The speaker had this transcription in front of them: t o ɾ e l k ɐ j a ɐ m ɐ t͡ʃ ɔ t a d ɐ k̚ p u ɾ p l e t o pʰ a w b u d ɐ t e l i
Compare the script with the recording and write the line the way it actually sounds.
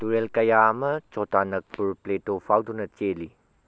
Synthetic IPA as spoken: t u ɾ e l k ɐ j a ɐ m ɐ t͡ʃ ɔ t a n ɐ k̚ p u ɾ p l e t o pʰ a w d u n ɐ t͡ʃ e l i